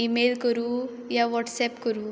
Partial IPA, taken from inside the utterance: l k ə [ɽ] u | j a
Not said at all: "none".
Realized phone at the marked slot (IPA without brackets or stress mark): ɾ